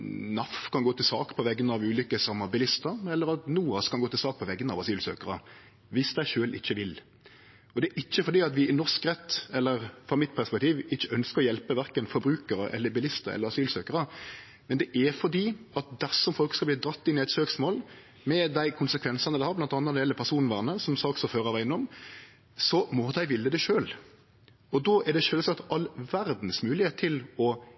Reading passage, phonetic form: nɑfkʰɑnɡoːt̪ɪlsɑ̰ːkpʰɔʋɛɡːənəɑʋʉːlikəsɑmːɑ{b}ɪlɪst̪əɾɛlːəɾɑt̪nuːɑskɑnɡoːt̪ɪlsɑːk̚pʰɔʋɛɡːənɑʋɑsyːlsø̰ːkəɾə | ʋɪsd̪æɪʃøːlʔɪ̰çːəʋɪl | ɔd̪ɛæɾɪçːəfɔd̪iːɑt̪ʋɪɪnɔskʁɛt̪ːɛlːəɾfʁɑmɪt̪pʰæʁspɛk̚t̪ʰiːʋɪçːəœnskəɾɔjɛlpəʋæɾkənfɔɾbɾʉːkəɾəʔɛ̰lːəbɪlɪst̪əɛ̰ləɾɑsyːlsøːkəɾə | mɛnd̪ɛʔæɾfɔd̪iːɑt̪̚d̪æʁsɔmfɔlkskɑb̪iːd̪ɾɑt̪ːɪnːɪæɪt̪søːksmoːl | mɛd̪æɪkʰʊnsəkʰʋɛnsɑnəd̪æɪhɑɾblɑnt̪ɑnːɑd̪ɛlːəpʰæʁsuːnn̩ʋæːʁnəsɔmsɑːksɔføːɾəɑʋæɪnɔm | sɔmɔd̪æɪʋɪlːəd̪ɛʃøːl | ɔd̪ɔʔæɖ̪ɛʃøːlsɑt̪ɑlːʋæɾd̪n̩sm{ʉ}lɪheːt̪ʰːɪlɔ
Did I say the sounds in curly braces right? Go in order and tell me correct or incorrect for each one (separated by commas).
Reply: correct, incorrect